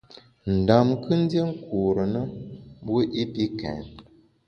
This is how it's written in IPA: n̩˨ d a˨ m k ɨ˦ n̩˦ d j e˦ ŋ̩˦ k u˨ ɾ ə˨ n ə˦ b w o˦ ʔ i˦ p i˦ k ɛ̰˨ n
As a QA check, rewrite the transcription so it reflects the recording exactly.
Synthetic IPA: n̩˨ d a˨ m k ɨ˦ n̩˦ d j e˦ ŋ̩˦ k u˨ ɾ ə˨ n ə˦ b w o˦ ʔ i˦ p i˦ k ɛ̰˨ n